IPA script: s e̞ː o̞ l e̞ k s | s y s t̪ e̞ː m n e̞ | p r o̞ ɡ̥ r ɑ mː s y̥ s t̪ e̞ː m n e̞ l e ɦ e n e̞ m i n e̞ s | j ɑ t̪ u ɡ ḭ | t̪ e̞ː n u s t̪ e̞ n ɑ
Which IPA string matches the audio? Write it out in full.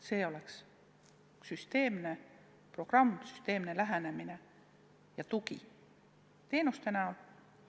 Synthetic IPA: s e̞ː o̞ l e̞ k s | s y s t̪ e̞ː m n e̞ | p r o̞ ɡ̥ r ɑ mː s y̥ s t̪ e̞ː m n e̞ l æ ɦ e n e̞ m i n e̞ | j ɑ t̪ u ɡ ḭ | t̪ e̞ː n u s t̪ e̞ n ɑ